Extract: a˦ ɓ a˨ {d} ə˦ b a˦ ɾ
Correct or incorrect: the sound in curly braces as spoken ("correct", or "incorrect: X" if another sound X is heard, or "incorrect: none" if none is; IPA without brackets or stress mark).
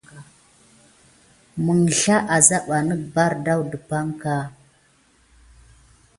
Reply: incorrect: n